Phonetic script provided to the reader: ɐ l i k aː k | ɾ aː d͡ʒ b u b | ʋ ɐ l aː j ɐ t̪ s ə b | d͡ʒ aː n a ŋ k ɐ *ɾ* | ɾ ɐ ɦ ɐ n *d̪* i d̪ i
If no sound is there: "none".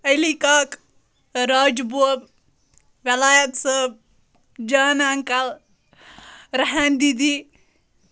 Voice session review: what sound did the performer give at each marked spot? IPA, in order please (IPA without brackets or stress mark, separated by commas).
l, d̪